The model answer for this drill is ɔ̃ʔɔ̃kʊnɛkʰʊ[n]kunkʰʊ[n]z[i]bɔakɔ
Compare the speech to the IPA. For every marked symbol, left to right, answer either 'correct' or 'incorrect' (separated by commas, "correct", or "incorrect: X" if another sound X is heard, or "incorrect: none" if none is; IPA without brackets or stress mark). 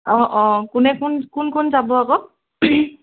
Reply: correct, correct, incorrect: a